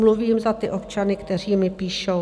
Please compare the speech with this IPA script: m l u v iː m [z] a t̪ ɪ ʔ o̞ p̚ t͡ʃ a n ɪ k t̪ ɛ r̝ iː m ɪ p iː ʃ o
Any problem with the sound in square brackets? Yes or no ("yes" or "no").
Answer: no